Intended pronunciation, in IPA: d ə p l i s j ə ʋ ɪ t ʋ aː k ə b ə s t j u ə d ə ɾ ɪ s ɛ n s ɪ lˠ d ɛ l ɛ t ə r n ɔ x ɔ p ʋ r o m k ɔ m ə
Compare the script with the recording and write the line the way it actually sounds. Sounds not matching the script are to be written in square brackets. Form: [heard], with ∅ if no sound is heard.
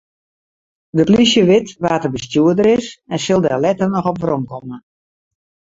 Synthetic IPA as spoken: d ə p l i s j ə ʋ ɪ t ʋ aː [t] ə b ə s t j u ə d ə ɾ ɪ s ɛ n s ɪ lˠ d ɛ l ɛ t ə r n ɔ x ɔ p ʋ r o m k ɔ m ə